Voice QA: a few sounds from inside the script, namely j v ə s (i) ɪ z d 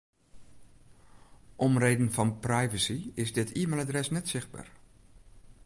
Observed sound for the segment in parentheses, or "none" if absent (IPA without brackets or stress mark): i